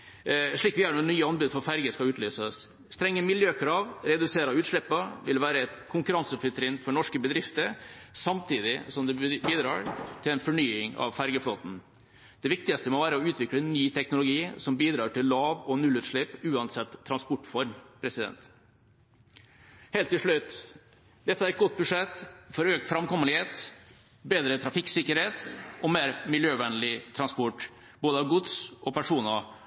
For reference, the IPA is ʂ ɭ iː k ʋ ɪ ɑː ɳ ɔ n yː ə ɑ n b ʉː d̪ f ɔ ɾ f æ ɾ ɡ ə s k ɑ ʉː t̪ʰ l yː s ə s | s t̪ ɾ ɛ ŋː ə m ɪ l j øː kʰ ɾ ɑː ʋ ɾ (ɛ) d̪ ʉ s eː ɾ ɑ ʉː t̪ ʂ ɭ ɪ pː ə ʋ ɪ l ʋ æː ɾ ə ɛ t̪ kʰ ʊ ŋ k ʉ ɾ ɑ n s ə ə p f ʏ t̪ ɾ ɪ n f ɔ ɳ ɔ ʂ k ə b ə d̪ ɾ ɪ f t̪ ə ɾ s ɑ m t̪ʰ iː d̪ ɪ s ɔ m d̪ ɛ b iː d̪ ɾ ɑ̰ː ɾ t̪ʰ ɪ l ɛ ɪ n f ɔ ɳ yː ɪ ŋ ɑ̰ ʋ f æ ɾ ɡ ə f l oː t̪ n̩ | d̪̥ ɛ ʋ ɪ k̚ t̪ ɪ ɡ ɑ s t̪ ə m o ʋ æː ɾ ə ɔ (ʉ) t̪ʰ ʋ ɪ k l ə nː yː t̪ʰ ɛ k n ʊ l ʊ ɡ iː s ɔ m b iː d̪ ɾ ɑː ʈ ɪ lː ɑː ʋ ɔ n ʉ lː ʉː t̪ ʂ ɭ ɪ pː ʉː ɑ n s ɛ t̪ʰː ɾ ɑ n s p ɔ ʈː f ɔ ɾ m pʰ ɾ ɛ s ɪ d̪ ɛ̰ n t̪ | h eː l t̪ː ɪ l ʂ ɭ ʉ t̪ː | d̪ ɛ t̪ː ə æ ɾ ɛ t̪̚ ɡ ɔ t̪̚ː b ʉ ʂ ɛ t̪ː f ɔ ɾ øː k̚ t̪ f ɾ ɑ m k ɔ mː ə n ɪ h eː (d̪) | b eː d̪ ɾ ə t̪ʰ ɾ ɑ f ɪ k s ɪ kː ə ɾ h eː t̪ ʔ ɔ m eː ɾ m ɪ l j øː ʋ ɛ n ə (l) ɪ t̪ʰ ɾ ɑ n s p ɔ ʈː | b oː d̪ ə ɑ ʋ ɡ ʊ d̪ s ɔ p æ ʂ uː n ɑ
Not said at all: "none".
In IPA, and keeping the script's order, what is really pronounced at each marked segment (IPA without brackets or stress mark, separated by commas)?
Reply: ɛ, ʉː, t̪, l